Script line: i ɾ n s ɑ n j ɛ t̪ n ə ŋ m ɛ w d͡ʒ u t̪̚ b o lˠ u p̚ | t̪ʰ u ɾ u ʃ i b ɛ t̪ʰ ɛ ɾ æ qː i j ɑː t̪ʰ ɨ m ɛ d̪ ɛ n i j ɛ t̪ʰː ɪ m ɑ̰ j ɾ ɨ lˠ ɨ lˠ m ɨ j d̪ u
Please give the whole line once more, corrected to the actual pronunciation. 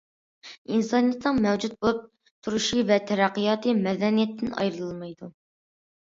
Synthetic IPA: i n s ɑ n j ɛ t̪ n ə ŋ m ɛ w d͡ʒ u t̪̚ b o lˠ u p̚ | t̪ʰ u ɾ u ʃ i v ɛ t̪ʰ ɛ ɾ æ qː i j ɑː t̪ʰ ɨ m ɛ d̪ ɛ n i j ɛ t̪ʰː ɪ n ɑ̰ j ɾ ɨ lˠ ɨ lˠ m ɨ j d̪ u

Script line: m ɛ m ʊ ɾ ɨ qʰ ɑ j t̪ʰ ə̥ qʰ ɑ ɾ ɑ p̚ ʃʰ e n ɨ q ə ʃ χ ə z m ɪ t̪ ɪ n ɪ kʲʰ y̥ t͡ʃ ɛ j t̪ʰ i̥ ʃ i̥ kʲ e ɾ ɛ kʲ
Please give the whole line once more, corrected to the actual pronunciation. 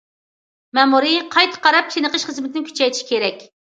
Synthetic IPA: m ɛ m u ɾ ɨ qʰ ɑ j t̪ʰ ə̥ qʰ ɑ ɾ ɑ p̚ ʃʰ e n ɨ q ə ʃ χ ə z m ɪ t̪ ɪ n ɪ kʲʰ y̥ t͡ʃ ɛ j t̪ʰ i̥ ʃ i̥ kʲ e ɾ ɛ kʲ

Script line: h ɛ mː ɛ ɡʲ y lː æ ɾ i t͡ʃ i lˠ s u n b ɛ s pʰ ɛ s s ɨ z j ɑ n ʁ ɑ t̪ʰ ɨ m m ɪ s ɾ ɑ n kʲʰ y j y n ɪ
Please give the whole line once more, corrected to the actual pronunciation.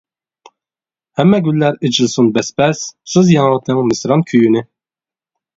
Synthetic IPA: h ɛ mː ɛ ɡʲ y lː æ ɾ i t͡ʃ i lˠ s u n b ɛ s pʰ ɛ s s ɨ z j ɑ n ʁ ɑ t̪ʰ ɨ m m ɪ s ɾ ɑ n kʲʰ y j y n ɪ

